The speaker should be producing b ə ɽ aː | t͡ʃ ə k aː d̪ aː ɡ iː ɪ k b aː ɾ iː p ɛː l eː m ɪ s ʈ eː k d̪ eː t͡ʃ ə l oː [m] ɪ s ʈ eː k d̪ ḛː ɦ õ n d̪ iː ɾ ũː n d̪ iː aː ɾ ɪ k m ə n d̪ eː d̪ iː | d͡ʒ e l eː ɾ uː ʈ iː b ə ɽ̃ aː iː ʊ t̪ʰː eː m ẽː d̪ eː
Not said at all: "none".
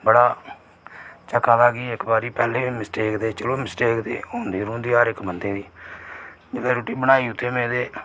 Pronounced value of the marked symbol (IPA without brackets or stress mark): m